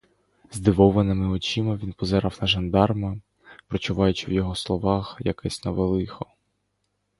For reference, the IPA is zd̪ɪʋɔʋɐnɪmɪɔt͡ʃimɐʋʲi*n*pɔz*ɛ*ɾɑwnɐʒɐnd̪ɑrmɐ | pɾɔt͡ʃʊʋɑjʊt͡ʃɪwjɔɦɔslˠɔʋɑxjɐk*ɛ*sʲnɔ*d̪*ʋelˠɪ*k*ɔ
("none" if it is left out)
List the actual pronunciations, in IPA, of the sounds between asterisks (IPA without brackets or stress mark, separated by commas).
n, ɛ, ɛ, none, x